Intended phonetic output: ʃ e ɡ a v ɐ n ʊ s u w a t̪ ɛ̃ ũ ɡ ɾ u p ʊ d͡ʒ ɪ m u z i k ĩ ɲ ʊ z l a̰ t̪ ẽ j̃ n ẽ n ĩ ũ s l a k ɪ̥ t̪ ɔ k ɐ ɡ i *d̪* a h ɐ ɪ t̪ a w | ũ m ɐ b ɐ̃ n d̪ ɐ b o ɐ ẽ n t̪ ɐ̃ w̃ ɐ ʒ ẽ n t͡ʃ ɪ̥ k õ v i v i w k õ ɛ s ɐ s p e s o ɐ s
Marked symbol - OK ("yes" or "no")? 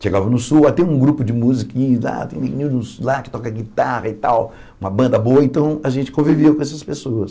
no